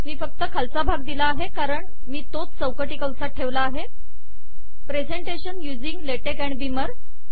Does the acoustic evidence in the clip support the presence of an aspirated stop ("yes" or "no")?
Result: yes